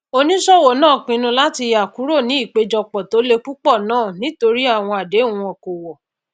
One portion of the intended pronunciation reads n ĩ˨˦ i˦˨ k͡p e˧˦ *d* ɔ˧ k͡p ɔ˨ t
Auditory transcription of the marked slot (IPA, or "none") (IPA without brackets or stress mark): d͡ʒ